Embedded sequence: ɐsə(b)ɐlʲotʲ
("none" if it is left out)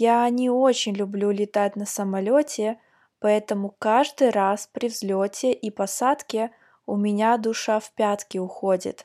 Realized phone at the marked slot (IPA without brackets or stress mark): m